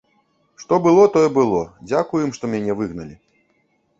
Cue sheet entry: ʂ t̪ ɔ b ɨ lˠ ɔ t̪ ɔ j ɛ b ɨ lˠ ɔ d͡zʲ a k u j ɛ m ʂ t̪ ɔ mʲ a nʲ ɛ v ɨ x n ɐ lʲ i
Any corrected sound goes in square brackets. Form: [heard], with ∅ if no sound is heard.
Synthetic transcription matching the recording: ʂ t̪ ɔ b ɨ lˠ ɔ t̪ ɔ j ɛ b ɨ lˠ ɔ d͡zʲ a k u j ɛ m ʂ t̪ ɔ mʲ a nʲ ɛ v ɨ [ɣ] n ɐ lʲ i